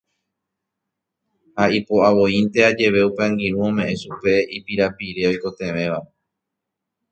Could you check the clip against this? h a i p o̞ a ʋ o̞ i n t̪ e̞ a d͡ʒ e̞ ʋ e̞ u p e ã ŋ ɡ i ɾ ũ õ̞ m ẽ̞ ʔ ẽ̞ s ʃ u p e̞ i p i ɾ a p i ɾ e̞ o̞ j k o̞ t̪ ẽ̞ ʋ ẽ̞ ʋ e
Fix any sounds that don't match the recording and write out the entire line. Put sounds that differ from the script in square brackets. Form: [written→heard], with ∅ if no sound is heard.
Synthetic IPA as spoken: h a i p o̞ a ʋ o̞ i n t̪ e̞ a d͡ʒ e̞ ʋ e̞ u p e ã ŋ ɡ i ɾ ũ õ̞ m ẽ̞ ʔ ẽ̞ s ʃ u p e̞ i p i ɾ a p i ɾ e̞ o̞ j k o̞ t̪ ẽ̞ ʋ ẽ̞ ʋ [e→a]